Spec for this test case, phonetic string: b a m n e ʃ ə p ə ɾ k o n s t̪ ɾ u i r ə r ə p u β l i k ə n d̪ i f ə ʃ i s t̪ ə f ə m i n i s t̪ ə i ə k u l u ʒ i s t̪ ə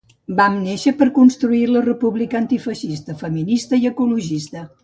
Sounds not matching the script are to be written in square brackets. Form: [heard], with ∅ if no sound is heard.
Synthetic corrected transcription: b a m n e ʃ ə p ə ɾ k [u] n s t̪ ɾ u i [l] ə r ə p u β l i k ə n [t̪] i f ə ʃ i s t̪ ə f ə m i n i s t̪ ə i ə k u l u ʒ i s t̪ ə